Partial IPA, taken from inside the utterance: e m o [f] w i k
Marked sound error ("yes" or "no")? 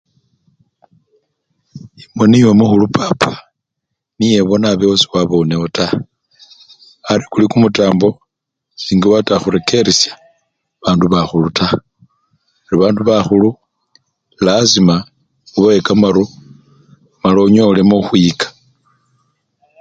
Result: yes